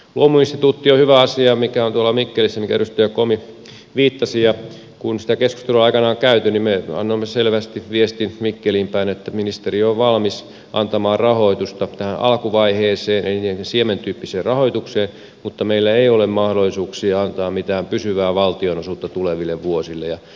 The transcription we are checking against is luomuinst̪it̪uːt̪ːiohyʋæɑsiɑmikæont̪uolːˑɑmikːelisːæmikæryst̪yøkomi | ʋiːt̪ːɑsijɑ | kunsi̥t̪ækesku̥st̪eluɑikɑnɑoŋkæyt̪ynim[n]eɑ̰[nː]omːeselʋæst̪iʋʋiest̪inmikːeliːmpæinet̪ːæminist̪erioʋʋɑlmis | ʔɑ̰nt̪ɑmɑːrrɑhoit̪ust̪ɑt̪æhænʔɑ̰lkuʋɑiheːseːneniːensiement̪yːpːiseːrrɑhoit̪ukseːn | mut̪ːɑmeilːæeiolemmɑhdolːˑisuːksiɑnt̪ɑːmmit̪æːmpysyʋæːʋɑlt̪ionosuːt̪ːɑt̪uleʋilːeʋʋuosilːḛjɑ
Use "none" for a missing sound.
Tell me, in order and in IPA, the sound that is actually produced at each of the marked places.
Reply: m, nː

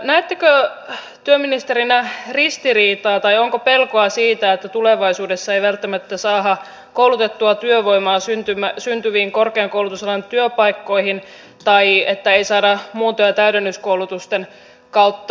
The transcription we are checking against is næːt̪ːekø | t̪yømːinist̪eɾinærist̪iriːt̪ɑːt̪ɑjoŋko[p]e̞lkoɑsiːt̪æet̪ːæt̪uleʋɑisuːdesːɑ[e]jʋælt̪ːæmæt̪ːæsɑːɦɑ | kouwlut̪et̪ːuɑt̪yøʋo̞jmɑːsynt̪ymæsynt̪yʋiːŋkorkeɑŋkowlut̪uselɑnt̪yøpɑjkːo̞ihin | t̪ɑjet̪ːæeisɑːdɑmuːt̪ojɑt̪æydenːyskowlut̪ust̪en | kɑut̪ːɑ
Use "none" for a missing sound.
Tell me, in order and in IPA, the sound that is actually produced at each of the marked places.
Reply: p, e

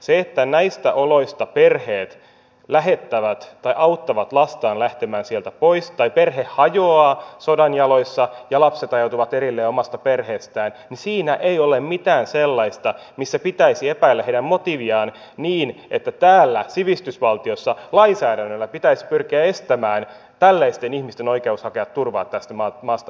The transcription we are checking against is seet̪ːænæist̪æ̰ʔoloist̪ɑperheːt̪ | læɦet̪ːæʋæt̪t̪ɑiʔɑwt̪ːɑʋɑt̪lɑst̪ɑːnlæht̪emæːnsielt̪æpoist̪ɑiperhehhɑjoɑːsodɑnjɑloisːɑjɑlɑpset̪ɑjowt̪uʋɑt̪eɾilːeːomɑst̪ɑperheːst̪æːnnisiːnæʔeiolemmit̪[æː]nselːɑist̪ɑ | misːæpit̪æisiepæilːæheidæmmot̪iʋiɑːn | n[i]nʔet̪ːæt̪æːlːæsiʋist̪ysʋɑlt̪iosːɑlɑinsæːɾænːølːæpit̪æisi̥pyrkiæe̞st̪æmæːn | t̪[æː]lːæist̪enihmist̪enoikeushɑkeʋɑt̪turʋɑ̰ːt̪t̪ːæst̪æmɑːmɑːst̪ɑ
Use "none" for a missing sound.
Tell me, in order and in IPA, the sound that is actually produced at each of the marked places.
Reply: æː, iː, æ

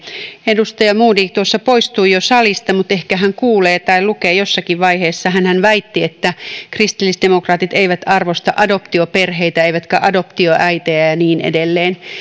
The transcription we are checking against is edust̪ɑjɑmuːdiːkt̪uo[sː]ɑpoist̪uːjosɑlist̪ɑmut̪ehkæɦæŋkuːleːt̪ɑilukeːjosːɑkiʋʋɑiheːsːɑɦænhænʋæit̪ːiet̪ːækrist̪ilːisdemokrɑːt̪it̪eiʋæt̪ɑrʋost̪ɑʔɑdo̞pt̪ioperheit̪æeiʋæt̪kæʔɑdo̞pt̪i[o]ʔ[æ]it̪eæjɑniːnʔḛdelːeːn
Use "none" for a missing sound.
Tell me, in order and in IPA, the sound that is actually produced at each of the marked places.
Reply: sː, o, æ

